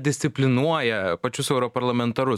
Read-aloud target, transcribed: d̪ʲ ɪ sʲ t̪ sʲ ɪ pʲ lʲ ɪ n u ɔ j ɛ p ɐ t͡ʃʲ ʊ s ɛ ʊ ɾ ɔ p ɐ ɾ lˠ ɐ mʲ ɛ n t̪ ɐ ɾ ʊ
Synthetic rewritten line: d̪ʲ ɪ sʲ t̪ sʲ ɪ pʲ lʲ ɪ n u ɔ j ɛ p ɐ t͡ʃʲ ʊ s ɛ ʊ ɾ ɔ p ɐ ɾ lˠ ɐ mʲ ɛ n t̪ ɐ ɾ ʊ

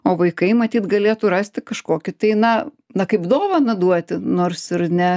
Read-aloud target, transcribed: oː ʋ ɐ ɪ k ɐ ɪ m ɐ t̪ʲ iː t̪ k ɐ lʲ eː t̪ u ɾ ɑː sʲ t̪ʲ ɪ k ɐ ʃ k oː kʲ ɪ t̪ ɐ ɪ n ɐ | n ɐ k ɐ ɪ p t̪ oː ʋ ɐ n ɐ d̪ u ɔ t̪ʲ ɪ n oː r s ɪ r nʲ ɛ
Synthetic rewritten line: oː ʋ ɐ ɪ k ɐ ɪ m ɐ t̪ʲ iː t̪ ɡ ɐ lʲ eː t̪ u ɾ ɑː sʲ t̪ʲ ɪ k ɐ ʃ k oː kʲ ɪ t̪ ɐ ɪ n ɐ | n ɐ k ɐ ɪ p d̪ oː ʋ ɐ n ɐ d̪ u ɔ t̪ʲ ɪ n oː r s ɪ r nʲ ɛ

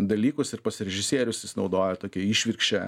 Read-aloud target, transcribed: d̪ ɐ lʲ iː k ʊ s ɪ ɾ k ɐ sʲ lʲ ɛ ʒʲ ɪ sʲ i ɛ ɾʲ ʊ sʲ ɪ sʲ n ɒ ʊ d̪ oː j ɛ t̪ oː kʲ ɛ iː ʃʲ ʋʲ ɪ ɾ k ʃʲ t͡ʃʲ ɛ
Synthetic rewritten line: d̪ ɐ lʲ iː k ʊ s ɪ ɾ p ɐ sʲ ɾʲ ɛ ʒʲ ɪ sʲ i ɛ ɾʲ ʊ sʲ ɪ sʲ n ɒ ʊ d̪ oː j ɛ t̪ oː kʲ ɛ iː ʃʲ ʋʲ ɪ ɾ k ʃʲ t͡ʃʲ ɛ

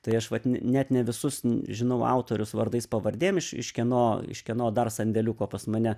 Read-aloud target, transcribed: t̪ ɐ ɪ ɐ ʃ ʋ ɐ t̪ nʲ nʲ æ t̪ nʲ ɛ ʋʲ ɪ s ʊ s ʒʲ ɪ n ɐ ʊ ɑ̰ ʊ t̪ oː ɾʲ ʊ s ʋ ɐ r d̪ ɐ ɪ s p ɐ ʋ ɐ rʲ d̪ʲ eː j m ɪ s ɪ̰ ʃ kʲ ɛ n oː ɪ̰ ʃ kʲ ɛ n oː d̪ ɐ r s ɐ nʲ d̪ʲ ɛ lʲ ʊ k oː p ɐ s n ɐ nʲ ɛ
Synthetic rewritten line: t̪ ɐ ɪ ɐ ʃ ʋ ɐ t̪ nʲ nʲ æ t̪ nʲ ɛ ʋʲ ɪ s ʊ s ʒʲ ɪ n ɐ ʊ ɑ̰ ʊ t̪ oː ɾʲ ʊ s ʋ ɐ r d̪ ɐ ɪ s p ɐ ʋ ɐ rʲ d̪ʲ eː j m ɪ ʃ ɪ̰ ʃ kʲ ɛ n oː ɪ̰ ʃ kʲ ɛ n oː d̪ ɐ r s ɐ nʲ d̪ʲ ɛ lʲ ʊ k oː p ɐ s m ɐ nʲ ɛ

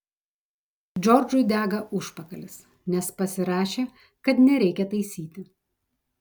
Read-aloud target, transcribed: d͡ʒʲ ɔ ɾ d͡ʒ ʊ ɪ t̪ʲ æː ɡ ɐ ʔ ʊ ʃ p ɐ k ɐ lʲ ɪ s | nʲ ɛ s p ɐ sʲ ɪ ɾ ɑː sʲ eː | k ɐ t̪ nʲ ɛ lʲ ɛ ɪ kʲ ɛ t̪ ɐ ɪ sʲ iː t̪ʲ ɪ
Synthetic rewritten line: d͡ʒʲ ɔ ɾ d͡ʒ ʊ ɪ d̪ʲ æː ɡ ɐ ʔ ʊ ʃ p ɐ k ɐ lʲ ɪ s | nʲ ɛ s p ɐ sʲ ɪ ɾ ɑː ʃʲ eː | k ɐ t̪ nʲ ɛ ɾʲ ɛ ɪ kʲ ɛ t̪ ɐ ɪ sʲ iː t̪ʲ ɪ

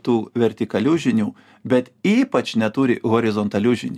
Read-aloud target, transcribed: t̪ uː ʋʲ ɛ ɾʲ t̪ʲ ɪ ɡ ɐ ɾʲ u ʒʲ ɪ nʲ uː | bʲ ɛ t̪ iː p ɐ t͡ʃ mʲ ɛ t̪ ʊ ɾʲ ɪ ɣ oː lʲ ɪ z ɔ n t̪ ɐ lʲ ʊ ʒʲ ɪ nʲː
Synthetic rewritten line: t̪ uː ʋʲ ɛ ɾʲ t̪ʲ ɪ k ɐ lʲ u ʒʲ ɪ nʲ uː | bʲ ɛ t̪ iː p ɐ t͡ʃ nʲ ɛ t̪ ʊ ɾʲ ɪ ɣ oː ɾʲ ɪ z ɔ n t̪ ɐ lʲ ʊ ʒʲ ɪ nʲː

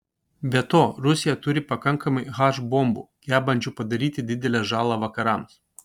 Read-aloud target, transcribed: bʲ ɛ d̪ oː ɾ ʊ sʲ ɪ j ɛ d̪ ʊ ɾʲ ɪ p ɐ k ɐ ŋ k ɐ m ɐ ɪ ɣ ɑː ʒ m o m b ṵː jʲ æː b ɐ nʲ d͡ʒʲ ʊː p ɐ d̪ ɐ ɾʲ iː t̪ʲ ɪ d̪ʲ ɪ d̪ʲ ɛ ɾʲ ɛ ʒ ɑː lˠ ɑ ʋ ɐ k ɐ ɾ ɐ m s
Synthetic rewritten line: bʲ ɛ t̪ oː ɾ ʊ sʲ ɪ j ɛ t̪ ʊ ɾʲ ɪ p ɐ k ɐ ŋ k ɐ m ɐ ɪ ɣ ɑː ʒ b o m b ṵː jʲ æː b ɐ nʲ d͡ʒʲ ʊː p ɐ d̪ ɐ ɾʲ iː t̪ʲ ɪ d̪ʲ ɪ d̪ʲ ɛ lʲ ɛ ʒ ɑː lˠ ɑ ʋ ɐ k ɐ ɾ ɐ m s

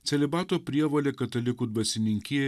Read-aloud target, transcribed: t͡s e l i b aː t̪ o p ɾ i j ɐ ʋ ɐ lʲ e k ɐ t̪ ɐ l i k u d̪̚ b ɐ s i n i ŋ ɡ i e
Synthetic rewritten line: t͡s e l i b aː t̪ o p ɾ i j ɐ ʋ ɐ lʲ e k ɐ t̪ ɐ l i k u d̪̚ b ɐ s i n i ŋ k i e

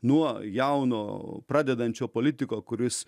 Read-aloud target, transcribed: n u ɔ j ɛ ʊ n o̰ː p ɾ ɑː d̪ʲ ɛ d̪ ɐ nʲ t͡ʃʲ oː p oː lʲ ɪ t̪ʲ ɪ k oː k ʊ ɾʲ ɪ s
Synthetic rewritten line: n u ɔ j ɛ ʊ n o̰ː p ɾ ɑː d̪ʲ ɛ d̪ ɐ nʲ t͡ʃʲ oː p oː lʲ ɪ t̪ʲ ɪ k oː k ʊ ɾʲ ɪ s

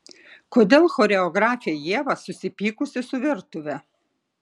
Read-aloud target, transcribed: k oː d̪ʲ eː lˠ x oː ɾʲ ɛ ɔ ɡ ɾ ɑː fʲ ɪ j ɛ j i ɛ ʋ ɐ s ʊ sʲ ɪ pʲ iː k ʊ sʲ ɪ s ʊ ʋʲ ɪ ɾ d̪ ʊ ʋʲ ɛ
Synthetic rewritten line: k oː d̪ʲ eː lˠ x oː ɾʲ ɛ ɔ ɡ ɾ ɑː fʲ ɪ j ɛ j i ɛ ʋ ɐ s ʊ sʲ ɪ pʲ iː k ʊ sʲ ɪ s ʊ ʋʲ ɪ ɾ t̪ ʊ ʋʲ ɛ

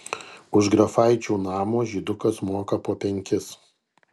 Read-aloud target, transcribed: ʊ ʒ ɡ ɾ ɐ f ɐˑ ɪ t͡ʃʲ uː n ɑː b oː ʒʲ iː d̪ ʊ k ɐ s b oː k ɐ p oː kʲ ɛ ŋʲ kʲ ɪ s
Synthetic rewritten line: ʊ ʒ ɡ ɾ ɐ f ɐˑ ɪ t͡ʃʲ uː n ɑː m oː ʒʲ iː d̪ ʊ k ɐ s m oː k ɐ p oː pʲ ɛ ŋʲ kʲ ɪ s

